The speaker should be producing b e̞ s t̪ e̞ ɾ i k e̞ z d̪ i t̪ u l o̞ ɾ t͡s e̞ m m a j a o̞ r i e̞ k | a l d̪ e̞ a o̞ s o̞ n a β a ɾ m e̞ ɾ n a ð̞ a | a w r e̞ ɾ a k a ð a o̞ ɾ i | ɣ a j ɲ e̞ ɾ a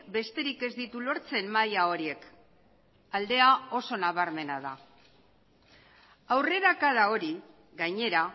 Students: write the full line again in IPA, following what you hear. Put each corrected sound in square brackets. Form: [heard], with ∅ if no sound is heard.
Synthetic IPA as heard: b e̞ s t̪ e̞ ɾ i k e̞ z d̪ i t̪ u l o̞ ɾ t͡s e̞ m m a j a o̞ [ɾ] i e̞ k | a l d̪ e̞ a o̞ s o̞ n a β a ɾ m e̞ [∅] n a ð̞ a | a w r e̞ ɾ a k a ð a o̞ ɾ i | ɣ a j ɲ e̞ ɾ a